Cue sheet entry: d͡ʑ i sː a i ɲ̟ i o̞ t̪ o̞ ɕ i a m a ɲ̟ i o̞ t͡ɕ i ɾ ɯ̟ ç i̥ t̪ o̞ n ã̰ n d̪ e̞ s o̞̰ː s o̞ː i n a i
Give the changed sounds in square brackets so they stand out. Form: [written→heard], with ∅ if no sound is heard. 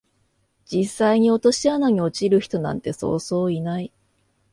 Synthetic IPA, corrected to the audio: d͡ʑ i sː a i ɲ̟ i o̞ t̪ o̞ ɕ i a [m→n] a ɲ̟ i o̞ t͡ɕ i ɾ ɯ̟ ç i̥ t̪ o̞ n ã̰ n [d̪→t̪] e̞ s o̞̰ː s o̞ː i n a i